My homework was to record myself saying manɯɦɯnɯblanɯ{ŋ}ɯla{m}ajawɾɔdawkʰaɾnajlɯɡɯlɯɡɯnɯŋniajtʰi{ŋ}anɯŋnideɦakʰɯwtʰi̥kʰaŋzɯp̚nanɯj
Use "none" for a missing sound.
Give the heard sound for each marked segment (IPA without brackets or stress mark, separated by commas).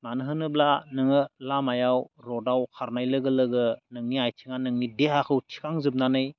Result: ŋ, m, ŋ